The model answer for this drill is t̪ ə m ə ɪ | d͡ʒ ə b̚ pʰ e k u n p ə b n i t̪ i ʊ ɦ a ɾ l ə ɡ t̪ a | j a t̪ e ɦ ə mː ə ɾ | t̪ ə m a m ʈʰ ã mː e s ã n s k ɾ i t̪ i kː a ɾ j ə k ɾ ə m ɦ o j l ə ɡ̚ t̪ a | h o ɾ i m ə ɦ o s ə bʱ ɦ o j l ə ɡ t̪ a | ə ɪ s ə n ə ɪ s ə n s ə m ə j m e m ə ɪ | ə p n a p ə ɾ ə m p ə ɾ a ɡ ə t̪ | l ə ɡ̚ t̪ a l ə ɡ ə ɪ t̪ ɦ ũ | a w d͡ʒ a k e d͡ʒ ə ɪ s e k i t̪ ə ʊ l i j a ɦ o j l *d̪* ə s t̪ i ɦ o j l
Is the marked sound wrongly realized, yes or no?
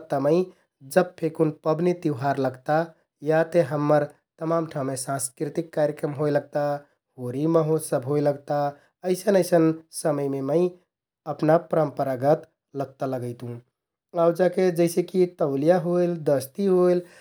no